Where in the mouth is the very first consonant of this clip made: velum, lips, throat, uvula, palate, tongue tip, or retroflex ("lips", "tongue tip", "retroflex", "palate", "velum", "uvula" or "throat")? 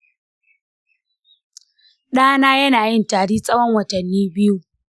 tongue tip